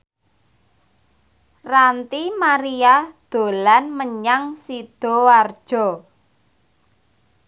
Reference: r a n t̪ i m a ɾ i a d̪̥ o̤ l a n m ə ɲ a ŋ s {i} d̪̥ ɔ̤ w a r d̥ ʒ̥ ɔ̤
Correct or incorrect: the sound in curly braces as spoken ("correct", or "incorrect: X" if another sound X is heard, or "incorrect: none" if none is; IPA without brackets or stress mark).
correct